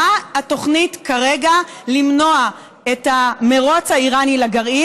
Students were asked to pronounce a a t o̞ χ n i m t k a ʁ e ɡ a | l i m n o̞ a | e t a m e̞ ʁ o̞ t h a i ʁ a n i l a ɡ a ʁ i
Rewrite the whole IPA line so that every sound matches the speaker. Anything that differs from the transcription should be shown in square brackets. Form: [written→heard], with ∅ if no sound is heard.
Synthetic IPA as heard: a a t o̞ χ n i [m→∅] t k a ʁ e ɡ a | l i m n o̞ a | e t a m e̞ ʁ o̞ [t→t͡s] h a i ʁ a n i l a ɡ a ʁ i